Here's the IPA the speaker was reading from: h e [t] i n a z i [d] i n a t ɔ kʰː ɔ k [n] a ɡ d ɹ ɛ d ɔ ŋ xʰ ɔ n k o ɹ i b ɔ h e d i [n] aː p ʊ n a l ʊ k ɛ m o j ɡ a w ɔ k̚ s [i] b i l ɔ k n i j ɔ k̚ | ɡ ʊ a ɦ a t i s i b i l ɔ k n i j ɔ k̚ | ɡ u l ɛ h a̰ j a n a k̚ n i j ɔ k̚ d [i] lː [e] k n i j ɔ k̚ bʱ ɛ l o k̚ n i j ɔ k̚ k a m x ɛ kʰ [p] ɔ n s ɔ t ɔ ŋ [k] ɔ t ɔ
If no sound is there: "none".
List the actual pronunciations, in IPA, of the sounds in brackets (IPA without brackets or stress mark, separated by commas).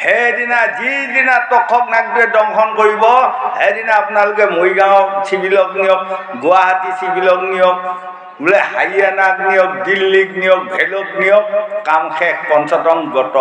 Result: d, d, n, n, i, i, i, p, ɡ